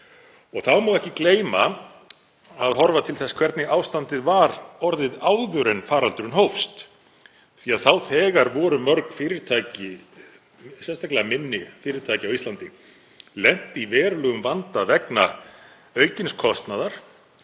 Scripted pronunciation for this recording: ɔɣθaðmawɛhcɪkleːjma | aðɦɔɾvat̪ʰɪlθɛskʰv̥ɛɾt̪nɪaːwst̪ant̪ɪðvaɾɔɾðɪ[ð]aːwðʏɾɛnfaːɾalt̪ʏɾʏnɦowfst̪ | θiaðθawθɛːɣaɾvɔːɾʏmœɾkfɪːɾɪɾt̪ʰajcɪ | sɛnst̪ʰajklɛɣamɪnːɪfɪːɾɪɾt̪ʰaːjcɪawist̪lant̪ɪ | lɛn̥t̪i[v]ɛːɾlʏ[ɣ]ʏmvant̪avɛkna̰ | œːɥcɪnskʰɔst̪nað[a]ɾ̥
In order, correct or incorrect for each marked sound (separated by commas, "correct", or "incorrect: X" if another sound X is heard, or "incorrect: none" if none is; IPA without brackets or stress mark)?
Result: correct, correct, correct, correct